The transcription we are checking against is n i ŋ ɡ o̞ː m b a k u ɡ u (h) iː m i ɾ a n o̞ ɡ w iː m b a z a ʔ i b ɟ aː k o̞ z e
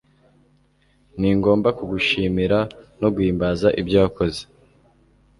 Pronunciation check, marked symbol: incorrect: ʃ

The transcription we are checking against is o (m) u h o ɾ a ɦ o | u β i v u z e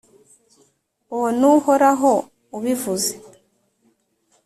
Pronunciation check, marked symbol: incorrect: n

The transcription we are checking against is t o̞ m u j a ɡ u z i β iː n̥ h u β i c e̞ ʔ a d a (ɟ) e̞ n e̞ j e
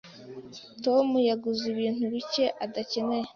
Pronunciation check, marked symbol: incorrect: c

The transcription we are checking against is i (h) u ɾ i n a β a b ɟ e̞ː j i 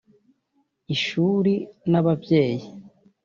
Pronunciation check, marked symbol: incorrect: ʃ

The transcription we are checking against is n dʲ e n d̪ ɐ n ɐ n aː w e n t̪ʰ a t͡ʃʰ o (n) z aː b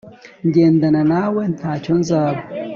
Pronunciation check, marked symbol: correct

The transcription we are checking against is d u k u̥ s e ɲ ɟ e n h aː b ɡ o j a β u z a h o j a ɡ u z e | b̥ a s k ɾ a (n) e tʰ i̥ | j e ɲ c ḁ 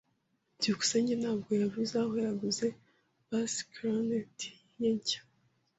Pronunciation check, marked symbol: correct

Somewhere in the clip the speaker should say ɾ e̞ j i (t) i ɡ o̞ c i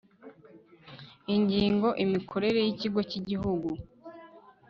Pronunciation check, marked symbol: incorrect: c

